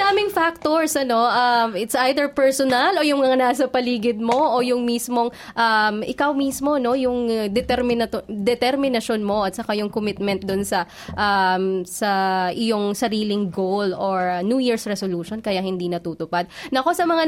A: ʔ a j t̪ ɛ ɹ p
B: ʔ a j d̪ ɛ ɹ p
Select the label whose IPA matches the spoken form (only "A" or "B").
B